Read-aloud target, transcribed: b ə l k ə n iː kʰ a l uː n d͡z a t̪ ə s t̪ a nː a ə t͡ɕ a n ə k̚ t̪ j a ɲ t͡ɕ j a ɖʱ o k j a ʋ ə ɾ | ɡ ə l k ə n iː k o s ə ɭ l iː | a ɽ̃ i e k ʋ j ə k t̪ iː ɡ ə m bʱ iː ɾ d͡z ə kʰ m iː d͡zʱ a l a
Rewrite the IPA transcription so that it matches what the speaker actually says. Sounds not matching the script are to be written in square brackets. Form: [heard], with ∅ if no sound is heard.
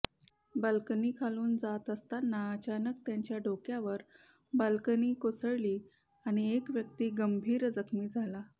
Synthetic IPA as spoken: b ə l k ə n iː kʰ a l uː n d͡z a t̪ ə s t̪ a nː a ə t͡ɕ a n ə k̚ t̪ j a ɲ t͡ɕ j a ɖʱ o k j a ʋ ə ɾ | [b] ə l k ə n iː k o s ə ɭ l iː | a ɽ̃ i e k ʋ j ə k t̪ iː ɡ ə m bʱ iː ɾ d͡z ə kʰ m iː d͡zʱ a l a

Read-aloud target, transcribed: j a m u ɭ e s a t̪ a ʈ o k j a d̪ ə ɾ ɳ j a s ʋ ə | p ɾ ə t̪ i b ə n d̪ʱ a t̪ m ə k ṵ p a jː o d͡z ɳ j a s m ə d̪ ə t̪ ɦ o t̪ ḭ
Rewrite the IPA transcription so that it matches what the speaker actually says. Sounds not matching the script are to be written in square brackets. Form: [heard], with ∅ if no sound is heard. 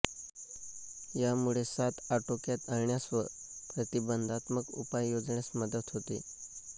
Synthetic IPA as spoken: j a m u ɭ e s a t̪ a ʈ o k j a [t̪] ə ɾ ɳ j a s ʋ ə | p ɾ ə t̪ i b ə n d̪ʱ a t̪ m ə k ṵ p a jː o d͡z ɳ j a s m ə d̪ ə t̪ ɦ o t̪ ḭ

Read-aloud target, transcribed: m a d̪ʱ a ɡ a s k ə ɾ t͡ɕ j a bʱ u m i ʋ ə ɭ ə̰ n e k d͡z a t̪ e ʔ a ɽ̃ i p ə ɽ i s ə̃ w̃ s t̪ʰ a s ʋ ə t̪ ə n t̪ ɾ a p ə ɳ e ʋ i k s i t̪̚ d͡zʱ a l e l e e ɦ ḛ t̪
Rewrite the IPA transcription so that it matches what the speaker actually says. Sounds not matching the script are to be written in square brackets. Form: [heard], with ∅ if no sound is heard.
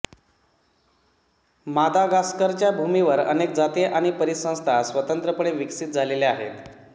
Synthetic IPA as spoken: m a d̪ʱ a ɡ a s k ə ɾ t͡ɕ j a bʱ u m i ʋ ə [ɾ] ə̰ n e k d͡z a t̪ e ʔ a ɽ̃ i p ə [ɾ] i s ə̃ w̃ s t̪ʰ a s ʋ ə t̪ ə n t̪ ɾ [ə] p ə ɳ e ʋ i k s i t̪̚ d͡zʱ a l e l e [a] ɦ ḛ t̪

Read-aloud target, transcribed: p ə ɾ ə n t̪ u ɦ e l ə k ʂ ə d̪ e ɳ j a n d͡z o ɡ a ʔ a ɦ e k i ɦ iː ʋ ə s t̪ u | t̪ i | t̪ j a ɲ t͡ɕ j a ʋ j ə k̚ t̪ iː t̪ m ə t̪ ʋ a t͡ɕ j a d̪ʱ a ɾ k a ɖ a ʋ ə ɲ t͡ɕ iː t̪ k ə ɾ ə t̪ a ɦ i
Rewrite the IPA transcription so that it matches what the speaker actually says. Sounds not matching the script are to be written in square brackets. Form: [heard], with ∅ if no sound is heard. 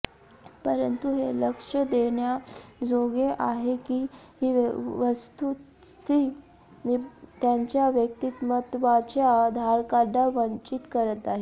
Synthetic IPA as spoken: p ə ɾ ə n t̪ u ɦ e l ə k ʂ ə d̪ e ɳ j a [∅] d͡z o ɡ [e] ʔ a ɦ e k i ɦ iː ʋ ə s t̪ u | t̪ i | t̪ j a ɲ t͡ɕ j a ʋ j ə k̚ t̪ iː t̪ m ə t̪ ʋ a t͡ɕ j a d̪ʱ a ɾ k a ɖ a ʋ ə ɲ t͡ɕ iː t̪ k ə ɾ ə t̪ a ɦ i

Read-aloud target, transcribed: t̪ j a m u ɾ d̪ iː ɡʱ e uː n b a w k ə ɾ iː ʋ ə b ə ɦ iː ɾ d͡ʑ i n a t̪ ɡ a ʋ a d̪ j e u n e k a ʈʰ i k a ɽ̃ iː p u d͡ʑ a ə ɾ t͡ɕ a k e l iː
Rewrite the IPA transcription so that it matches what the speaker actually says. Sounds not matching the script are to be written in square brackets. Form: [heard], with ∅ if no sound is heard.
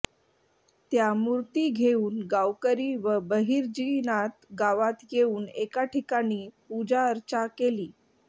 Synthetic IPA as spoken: t̪ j a m u ɾ [t̪] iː ɡʱ e uː n [ɡ] a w k ə ɾ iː ʋ ə b ə ɦ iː ɾ d͡ʑ i n a t̪ ɡ a ʋ a [t̪] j e [uː] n e k a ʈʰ i k a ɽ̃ iː p u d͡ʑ a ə ɾ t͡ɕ a k e l iː

